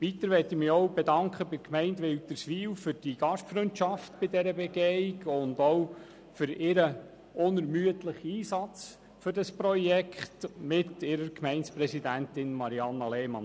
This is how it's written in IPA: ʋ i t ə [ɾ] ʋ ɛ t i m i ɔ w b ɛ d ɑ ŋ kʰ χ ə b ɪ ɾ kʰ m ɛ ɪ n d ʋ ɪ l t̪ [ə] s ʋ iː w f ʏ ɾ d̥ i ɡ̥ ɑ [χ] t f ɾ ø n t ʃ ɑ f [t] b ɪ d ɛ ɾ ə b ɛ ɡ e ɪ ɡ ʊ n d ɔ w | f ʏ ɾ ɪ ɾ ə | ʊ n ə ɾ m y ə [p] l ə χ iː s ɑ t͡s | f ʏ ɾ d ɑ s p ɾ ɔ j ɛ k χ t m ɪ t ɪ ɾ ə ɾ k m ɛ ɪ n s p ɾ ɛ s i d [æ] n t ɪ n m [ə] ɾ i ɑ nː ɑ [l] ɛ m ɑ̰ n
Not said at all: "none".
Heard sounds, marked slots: ɾ, ə, ʃ, t, t, æ, ɑ, l

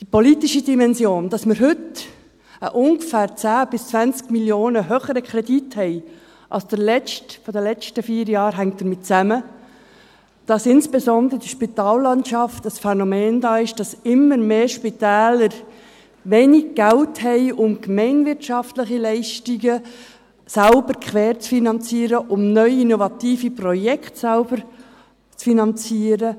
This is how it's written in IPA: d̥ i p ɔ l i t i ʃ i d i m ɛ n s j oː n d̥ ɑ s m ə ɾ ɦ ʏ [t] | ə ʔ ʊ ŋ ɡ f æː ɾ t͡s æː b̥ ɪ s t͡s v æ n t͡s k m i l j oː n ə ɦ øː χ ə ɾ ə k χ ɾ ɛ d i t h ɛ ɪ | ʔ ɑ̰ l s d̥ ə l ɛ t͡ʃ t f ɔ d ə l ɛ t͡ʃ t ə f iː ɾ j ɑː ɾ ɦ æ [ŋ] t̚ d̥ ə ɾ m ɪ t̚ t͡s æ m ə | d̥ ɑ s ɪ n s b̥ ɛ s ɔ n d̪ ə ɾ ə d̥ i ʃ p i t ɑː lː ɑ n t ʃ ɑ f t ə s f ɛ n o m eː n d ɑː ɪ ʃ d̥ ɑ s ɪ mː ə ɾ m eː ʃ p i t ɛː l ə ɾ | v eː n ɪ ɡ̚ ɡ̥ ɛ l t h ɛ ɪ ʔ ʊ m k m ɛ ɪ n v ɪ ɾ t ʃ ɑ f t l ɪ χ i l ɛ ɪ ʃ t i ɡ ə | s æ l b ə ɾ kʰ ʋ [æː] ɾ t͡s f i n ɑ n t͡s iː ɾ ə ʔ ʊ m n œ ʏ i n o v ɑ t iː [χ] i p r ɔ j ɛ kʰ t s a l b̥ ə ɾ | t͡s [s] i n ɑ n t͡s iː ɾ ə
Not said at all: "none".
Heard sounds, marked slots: t, ŋ, ɛː, f, f

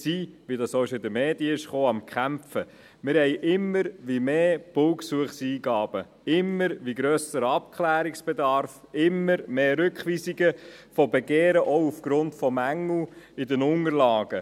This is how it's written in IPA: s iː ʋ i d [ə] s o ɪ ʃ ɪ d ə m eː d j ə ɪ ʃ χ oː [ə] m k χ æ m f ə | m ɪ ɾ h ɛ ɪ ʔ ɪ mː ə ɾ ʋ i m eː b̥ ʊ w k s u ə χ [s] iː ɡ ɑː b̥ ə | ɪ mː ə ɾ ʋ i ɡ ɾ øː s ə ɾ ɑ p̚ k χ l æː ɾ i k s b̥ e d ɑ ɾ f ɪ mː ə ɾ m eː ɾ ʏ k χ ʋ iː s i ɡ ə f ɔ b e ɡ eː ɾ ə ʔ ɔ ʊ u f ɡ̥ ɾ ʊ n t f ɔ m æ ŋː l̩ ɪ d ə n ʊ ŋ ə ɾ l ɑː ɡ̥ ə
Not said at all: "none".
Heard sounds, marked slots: ɑ, ɑ, s

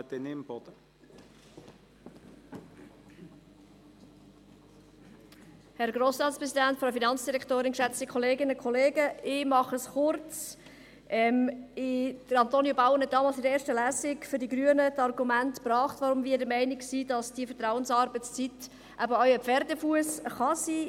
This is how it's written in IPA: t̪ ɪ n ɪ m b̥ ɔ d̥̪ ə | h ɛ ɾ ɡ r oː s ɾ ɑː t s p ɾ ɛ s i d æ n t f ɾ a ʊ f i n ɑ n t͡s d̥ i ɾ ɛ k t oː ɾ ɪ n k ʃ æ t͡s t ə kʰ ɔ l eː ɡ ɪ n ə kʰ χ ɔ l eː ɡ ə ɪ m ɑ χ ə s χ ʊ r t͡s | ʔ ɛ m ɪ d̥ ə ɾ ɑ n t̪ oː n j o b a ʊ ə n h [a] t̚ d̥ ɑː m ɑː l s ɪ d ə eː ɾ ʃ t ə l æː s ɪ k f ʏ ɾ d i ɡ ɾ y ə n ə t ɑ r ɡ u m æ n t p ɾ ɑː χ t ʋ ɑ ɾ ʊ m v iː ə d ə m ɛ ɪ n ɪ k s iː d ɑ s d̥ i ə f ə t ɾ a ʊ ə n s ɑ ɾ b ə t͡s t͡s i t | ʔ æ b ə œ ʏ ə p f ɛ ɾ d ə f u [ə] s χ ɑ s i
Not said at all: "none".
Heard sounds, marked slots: ɛ, ə

